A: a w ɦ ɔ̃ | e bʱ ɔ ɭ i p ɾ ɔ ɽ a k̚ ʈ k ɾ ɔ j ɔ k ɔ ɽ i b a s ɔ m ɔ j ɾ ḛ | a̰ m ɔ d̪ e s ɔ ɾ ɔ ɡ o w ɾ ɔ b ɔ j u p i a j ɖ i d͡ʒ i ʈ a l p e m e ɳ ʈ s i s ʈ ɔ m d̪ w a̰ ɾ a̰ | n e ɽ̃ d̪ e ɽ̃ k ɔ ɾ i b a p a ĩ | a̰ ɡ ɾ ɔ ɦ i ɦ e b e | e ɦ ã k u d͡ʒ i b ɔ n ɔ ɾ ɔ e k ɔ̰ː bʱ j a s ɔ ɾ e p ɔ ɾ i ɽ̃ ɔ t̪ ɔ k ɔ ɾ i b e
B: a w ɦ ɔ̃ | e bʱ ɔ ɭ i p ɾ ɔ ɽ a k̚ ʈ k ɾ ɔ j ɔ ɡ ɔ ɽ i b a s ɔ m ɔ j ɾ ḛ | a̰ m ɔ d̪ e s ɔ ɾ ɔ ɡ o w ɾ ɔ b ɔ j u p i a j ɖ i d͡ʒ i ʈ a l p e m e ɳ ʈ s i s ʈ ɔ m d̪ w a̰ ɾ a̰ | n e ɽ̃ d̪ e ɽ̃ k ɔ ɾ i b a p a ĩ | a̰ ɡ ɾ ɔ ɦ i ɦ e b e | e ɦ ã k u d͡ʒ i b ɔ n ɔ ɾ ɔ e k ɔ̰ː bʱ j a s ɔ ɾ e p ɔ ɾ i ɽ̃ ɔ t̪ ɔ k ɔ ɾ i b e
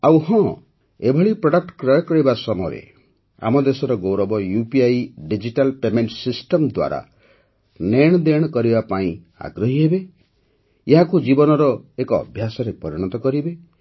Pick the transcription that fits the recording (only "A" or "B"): A